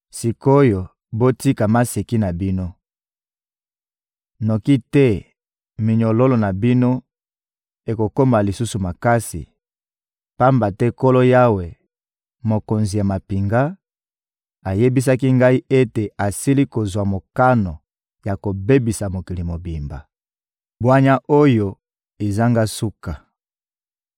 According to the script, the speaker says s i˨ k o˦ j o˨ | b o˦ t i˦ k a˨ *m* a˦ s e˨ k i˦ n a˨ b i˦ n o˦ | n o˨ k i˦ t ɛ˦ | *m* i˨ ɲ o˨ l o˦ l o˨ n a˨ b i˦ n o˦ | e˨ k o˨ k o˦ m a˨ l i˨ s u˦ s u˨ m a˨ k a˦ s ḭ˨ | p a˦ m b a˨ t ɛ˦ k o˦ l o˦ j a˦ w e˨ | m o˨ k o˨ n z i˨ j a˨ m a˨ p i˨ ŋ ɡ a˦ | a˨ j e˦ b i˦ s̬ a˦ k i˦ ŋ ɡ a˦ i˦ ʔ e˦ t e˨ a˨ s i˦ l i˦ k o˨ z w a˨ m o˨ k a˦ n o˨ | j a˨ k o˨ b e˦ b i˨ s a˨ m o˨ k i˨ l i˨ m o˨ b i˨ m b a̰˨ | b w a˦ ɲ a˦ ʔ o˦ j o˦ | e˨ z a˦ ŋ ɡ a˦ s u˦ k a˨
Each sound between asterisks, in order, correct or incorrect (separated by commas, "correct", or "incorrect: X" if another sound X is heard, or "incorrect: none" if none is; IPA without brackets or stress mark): correct, correct